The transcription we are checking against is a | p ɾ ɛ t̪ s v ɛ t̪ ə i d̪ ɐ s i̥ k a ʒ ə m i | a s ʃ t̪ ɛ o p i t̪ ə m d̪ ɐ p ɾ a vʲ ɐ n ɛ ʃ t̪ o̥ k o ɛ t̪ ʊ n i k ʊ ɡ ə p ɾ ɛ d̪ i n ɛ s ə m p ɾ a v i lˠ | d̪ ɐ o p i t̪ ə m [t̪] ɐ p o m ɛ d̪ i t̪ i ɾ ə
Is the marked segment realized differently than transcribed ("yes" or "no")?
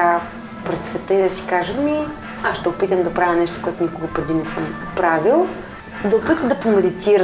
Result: yes